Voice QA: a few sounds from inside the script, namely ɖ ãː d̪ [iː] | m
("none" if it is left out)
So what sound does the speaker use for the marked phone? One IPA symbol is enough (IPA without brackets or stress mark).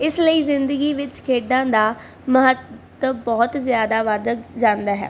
aː